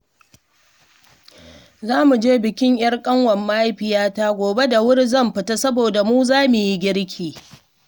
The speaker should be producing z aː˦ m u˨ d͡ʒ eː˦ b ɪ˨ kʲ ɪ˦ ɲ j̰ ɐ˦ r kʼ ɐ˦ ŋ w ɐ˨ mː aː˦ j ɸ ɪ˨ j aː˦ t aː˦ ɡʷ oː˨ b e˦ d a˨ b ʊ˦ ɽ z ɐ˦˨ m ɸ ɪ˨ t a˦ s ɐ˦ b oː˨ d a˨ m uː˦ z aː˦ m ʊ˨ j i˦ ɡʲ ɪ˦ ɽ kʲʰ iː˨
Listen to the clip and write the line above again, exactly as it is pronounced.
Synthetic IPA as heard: z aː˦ m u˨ d͡ʒ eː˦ b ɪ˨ kʲ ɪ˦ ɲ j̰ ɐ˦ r kʼ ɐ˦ ŋ w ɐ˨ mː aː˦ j ɸ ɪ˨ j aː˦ t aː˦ ɡʷ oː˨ b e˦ d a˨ w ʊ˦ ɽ z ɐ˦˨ m ɸ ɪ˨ t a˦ s ɐ˦ b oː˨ d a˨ m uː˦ z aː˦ m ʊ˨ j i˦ ɡʲ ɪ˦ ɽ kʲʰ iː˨